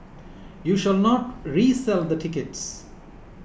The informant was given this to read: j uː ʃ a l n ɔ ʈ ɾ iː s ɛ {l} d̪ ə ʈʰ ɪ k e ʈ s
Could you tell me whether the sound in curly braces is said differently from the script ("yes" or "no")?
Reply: no